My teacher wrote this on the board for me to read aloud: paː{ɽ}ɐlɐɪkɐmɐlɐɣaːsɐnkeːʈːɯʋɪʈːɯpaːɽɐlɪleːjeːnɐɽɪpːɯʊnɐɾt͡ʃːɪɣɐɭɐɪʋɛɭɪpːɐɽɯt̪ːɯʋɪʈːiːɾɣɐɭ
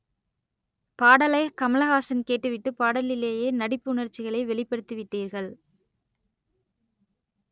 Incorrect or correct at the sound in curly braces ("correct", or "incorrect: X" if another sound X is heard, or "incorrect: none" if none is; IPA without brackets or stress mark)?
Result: correct